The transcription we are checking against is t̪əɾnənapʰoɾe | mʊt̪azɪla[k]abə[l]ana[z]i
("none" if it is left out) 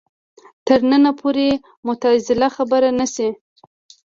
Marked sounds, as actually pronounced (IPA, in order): x, ɾ, s

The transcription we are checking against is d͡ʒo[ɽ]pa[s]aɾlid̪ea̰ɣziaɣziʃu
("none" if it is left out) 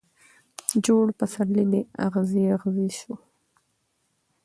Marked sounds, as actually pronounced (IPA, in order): ɽ, s

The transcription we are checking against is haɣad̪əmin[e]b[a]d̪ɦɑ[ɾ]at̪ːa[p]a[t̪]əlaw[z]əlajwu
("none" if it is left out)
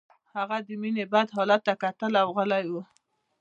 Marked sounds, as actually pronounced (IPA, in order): e, a, l, k, t̪, ɣ

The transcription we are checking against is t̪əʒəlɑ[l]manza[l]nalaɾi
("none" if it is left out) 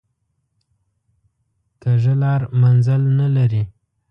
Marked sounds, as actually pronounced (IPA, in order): ɾ, l

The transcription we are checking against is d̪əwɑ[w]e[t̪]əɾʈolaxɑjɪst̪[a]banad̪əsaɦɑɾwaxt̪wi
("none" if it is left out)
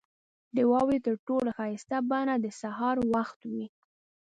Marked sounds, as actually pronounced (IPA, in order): w, t̪, a

